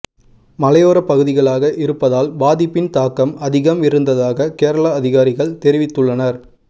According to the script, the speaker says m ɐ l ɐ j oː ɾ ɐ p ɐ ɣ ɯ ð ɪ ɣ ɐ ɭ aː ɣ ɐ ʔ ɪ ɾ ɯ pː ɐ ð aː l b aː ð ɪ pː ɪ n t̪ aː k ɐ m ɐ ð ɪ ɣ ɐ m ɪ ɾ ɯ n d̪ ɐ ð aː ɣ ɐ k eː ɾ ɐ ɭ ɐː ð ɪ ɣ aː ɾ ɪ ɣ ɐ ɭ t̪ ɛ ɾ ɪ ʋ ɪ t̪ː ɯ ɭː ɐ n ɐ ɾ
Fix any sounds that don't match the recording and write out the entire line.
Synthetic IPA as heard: m ɐ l ɐ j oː ɾ ɐ p ɐ ɣ ɯ ð ɪ ɣ ɐ ɭ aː ɣ ɐ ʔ ɪ ɾ ɯ pː ɐ ð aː l b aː ð ɪ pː ɪ n t̪ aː k ɐ m ɐ ð ɪ ɣ ɐ m ɪ ɾ ɯ n d̪ ɐ ð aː ɣ ɐ k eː ɾ ɐ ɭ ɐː ð ɪ ɣ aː ɾ ɪ ɣ ɐ ɭ t̪ ɛ ɾ ɪ ʋ ɪ t̪ː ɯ ɭː ɐ n ɐ ɾ